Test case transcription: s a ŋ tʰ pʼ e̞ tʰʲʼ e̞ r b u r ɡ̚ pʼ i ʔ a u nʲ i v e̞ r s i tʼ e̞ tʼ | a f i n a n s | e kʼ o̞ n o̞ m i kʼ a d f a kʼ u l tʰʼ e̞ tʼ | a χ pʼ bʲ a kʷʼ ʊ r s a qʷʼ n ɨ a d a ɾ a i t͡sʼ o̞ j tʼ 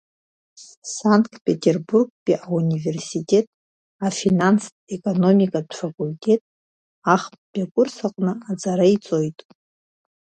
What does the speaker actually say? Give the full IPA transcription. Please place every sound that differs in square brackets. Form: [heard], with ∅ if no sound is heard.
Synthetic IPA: s a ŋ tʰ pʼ e̞ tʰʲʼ e̞ r b u r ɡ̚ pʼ i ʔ a u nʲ i v e̞ r s i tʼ e̞ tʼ | a f i n a n s | e kʼ o̞ n o̞ m i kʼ a d f a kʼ u l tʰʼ e̞ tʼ | a χ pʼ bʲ a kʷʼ ʊ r s a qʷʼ n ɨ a [d͡z] a ɾ a i t͡sʼ o̞ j tʼ